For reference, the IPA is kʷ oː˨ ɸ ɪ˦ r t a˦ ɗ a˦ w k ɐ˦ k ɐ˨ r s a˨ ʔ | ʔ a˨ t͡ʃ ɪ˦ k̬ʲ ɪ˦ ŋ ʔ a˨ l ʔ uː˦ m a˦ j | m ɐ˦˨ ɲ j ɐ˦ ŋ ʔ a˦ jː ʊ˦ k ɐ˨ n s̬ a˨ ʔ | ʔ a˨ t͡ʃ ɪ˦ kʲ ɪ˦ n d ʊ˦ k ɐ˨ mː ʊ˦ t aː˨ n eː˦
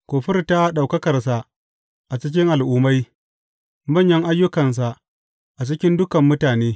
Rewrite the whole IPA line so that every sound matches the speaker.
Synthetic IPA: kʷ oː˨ ɸ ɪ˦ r t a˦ ɗ a˨ w k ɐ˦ k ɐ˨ r s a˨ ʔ | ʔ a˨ t͡ʃ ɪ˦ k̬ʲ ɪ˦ ŋ ʔ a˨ l ʔ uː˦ m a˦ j | m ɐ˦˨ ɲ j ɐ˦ ŋ ʔ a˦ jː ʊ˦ k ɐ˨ n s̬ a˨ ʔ | ʔ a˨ t͡ʃ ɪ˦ kʲ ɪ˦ n d ʊ˦ k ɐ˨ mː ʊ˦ t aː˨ n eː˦